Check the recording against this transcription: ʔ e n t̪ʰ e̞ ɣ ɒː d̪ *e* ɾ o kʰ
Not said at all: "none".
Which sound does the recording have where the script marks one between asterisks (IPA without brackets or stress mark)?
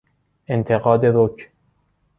e